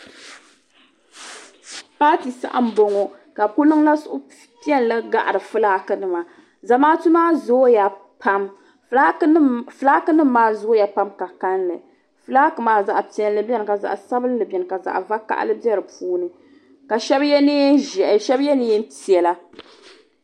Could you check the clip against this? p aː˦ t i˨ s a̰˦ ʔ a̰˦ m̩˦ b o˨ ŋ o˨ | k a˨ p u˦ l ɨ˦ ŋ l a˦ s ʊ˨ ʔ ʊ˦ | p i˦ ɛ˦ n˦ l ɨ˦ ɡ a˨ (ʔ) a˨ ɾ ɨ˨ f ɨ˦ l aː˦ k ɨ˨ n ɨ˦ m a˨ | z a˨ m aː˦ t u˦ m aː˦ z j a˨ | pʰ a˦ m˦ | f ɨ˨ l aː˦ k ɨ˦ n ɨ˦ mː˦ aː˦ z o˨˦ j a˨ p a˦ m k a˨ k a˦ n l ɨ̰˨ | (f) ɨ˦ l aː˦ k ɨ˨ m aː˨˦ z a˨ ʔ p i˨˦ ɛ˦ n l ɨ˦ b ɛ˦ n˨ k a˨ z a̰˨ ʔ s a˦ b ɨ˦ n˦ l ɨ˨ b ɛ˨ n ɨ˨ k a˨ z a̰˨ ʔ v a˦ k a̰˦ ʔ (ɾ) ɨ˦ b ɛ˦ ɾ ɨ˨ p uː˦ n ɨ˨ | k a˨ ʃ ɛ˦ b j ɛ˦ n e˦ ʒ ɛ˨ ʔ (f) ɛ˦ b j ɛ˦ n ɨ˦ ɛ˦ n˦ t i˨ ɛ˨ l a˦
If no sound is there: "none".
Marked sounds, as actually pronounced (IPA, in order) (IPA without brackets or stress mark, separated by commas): ʔ, f, l, ʃ